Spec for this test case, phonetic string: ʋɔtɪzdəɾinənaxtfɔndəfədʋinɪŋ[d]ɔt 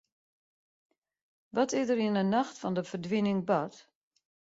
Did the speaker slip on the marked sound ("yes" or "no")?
yes